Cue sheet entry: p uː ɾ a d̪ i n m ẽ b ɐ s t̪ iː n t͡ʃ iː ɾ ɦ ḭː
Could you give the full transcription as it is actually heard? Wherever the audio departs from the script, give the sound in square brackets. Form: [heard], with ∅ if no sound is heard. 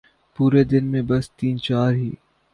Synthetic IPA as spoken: p uː ɾ [e] d̪ [ɪ] n m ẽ b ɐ s t̪ iː n t͡ʃ [aː] ɾ ɦ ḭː